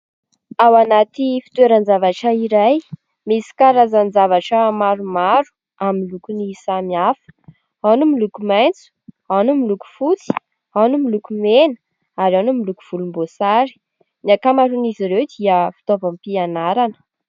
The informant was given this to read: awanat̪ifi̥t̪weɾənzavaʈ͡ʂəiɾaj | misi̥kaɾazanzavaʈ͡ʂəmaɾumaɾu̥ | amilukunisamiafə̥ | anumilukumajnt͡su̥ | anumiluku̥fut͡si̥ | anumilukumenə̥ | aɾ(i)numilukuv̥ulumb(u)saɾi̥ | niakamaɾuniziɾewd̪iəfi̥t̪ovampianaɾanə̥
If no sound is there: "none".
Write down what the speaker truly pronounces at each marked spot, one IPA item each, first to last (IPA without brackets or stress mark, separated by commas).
a, o